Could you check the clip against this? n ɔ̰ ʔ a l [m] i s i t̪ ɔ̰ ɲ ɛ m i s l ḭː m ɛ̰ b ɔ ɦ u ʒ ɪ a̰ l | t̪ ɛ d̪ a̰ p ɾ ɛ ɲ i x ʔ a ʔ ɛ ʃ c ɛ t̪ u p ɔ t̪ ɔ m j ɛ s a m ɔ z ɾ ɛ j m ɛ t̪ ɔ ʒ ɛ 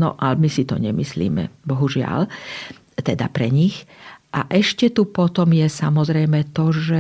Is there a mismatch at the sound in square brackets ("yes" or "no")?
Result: no